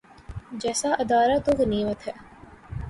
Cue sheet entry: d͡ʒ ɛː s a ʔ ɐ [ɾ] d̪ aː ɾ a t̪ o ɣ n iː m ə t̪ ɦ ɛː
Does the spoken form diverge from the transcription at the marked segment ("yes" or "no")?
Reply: yes